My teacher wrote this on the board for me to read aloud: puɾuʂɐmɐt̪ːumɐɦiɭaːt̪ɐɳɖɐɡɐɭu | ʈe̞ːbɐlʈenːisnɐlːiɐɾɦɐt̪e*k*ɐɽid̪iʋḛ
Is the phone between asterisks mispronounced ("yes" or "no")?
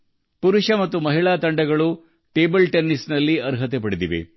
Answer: yes